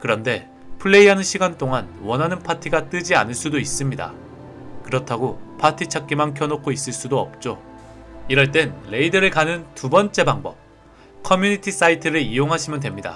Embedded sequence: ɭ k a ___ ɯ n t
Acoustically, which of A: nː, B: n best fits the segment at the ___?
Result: B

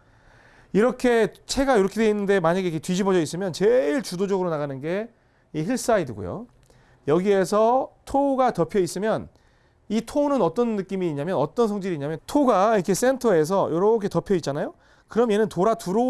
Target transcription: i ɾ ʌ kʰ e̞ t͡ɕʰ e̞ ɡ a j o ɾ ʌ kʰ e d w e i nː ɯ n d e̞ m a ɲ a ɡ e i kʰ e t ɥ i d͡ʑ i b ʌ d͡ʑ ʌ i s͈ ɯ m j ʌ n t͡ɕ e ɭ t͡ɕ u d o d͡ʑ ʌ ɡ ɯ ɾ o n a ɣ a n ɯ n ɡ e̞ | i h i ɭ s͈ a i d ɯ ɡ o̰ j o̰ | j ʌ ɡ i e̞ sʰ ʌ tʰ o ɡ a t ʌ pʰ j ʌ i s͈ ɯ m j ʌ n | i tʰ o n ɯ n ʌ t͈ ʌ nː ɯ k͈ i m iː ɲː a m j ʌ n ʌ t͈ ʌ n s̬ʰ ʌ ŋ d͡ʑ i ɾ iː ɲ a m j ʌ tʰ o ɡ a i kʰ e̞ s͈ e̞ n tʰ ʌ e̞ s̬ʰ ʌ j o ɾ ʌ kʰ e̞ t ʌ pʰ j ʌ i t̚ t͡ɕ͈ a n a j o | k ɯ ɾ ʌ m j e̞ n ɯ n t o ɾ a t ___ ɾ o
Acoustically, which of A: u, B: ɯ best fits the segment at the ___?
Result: A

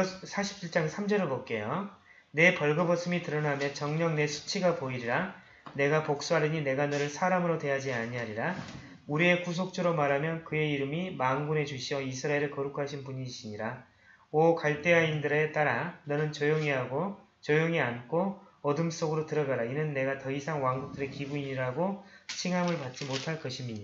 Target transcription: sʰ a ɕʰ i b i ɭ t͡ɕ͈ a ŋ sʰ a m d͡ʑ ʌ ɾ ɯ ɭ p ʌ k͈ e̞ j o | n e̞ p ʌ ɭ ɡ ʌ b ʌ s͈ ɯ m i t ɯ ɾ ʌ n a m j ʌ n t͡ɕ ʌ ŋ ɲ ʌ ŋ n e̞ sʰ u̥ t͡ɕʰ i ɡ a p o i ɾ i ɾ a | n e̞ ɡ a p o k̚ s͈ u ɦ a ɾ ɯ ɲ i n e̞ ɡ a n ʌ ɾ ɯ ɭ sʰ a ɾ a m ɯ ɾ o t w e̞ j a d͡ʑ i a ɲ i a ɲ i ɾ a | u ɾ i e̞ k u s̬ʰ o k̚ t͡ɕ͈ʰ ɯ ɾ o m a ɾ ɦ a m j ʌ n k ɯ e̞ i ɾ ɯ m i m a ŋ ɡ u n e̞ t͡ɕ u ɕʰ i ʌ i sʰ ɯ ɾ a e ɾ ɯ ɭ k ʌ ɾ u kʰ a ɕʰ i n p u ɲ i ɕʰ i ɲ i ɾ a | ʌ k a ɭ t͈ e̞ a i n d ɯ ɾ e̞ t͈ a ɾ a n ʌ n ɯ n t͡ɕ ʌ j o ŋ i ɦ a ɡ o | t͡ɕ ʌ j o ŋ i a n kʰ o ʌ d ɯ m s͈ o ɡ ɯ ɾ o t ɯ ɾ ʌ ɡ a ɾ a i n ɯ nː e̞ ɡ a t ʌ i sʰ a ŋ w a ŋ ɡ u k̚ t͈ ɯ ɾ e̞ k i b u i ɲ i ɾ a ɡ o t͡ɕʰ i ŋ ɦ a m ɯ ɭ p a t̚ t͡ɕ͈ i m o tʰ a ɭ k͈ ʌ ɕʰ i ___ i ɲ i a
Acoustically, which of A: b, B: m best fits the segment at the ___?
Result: B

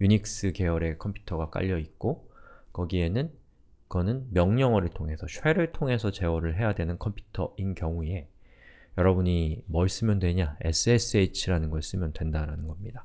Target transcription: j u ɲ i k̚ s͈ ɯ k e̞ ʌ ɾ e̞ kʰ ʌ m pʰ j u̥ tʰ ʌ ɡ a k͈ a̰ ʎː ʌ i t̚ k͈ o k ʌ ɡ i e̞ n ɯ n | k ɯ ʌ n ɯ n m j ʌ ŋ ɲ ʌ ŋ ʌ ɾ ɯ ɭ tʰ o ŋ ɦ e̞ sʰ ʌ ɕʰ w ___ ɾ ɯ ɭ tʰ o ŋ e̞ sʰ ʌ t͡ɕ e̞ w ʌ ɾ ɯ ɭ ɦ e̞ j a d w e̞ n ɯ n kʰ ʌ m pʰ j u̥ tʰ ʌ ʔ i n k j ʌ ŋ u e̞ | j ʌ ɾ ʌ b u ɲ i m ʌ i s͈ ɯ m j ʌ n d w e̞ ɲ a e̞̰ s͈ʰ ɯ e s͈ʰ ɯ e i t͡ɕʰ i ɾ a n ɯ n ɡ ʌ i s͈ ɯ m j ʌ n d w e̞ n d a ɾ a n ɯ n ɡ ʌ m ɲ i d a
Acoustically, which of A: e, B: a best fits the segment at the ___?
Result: A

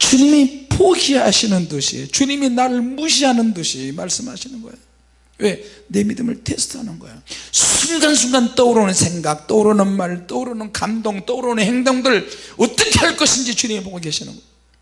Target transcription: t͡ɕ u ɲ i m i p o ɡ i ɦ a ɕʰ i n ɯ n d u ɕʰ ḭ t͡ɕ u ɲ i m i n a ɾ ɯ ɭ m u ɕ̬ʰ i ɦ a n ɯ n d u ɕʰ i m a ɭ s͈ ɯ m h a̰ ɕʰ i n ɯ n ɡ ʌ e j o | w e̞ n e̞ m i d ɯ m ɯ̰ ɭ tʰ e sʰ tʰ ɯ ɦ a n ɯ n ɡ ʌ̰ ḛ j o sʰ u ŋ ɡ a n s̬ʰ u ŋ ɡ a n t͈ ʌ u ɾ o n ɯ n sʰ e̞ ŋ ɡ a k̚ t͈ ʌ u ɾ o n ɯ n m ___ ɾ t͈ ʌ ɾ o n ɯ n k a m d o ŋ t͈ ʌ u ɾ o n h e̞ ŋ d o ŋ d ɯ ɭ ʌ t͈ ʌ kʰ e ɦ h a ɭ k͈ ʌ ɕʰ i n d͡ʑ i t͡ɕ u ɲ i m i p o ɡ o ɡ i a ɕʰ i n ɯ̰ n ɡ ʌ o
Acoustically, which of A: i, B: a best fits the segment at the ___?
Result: B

